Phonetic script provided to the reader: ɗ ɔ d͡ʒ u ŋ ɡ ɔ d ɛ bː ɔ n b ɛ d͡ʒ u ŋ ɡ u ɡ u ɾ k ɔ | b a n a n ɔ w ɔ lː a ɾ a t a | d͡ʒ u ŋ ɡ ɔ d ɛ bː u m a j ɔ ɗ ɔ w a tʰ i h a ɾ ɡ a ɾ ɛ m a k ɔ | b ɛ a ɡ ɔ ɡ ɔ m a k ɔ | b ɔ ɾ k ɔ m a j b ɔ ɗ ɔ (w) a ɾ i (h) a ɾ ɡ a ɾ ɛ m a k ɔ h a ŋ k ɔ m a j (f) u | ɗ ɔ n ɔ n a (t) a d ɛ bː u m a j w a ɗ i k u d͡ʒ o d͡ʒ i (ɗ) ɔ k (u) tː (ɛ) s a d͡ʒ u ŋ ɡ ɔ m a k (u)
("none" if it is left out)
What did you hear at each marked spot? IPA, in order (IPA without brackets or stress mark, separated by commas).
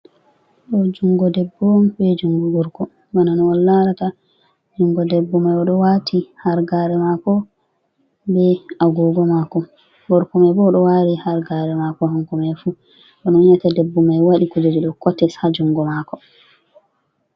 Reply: w, h, f, t, ɗ, ɔ, ɛ, ɔ